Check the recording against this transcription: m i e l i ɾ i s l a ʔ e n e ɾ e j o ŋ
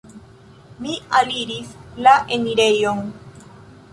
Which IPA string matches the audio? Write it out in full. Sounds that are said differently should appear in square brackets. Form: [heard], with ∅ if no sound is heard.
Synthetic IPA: m i [a] l i ɾ i s l a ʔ e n [i] ɾ e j o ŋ